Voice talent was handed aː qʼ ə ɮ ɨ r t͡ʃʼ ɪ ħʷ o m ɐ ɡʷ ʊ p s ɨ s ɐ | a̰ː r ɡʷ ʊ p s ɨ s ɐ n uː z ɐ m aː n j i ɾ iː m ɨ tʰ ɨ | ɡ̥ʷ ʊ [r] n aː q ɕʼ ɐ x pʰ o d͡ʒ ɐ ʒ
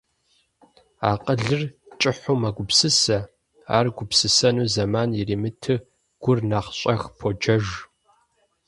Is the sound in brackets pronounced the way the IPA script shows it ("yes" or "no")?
yes